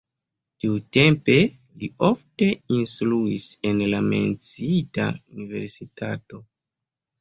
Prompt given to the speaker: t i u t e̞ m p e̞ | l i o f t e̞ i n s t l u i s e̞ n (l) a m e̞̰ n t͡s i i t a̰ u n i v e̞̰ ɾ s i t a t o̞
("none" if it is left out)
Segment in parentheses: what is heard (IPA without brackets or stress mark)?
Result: l